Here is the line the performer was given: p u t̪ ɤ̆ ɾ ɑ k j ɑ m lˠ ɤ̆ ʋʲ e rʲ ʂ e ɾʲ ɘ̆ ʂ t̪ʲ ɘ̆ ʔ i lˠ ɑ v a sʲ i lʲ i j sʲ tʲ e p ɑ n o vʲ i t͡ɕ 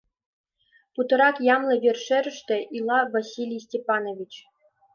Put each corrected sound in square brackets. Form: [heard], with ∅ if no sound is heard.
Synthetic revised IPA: p u t̪ ɤ̆ ɾ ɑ k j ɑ m lˠ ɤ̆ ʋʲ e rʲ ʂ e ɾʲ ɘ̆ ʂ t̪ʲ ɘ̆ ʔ i lˠ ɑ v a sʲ i lʲ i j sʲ tʲ e p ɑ n o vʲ i t͡ɕ